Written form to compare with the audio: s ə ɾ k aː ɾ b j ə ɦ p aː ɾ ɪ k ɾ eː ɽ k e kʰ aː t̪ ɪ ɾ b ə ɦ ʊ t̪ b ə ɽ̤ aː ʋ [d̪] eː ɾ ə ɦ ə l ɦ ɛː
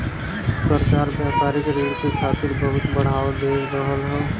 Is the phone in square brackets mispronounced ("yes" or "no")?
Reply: no